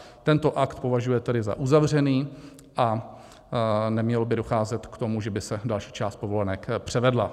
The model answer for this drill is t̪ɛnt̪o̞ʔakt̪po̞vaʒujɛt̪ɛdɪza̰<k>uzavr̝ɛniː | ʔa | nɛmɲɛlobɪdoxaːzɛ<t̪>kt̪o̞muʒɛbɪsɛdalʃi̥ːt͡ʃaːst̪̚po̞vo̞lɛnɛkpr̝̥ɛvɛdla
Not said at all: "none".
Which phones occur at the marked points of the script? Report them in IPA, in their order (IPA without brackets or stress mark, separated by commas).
ʔ, t̪